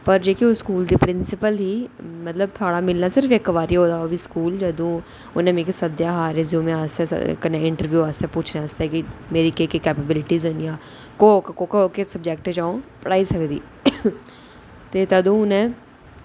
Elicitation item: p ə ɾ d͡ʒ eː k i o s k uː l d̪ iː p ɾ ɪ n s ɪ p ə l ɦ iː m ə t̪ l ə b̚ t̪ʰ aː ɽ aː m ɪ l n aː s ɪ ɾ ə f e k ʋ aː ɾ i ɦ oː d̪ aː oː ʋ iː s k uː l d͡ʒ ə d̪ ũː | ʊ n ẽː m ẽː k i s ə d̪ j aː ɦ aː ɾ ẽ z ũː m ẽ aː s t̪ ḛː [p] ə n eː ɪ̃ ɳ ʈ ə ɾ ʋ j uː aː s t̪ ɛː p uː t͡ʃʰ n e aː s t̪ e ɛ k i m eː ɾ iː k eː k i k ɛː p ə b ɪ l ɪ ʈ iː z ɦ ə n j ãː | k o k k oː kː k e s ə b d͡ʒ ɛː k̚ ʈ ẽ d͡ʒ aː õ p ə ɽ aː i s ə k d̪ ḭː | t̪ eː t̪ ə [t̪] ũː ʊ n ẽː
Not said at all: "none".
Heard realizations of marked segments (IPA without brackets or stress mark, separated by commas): k, d̪